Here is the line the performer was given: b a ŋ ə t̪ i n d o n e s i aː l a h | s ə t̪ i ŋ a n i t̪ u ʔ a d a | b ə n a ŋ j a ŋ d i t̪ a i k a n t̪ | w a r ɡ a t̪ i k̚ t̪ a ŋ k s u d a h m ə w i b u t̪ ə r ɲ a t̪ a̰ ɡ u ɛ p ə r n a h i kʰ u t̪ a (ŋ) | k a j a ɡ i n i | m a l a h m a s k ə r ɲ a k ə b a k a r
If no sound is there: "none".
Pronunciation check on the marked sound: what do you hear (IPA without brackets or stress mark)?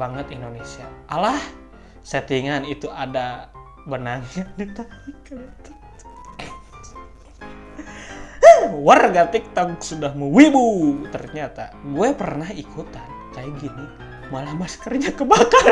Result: n